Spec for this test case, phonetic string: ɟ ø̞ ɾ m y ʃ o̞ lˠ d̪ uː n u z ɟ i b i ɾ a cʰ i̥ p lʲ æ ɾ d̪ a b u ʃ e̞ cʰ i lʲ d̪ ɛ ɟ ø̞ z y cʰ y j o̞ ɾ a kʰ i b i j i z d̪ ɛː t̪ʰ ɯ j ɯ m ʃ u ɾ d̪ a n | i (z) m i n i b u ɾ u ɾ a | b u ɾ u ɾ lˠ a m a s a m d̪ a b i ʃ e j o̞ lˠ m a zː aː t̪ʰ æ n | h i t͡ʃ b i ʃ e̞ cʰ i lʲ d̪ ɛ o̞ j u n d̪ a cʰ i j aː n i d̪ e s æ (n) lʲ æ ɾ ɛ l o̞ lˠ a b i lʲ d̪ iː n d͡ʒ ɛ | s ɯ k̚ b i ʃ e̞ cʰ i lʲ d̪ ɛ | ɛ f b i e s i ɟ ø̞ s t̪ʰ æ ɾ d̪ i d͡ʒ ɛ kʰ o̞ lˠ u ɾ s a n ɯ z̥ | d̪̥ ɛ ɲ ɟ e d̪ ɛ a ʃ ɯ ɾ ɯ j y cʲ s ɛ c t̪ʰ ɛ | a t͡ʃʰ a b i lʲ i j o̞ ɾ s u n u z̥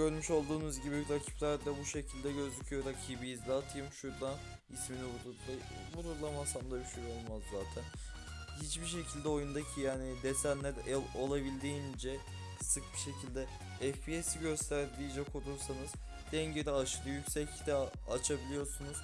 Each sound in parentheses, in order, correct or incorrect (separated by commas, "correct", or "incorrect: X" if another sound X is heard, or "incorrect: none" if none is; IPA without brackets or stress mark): incorrect: s, correct